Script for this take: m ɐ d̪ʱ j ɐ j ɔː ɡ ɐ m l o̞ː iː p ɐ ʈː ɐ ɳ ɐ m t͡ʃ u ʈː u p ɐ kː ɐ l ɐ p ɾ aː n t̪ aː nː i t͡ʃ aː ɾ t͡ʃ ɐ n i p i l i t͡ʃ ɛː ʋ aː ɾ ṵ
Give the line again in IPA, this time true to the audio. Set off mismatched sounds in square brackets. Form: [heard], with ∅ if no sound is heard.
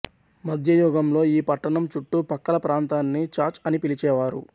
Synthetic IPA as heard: m ɐ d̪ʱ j ɐ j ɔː ɡ ɐ m l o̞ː iː p ɐ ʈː ɐ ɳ ɐ m t͡ʃ u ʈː u p ɐ kː ɐ l ɐ p ɾ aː n t̪ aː nː i t͡ʃ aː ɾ t͡ʃ ɐ n i p i l i t͡ʃ ɛː ʋ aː ɾ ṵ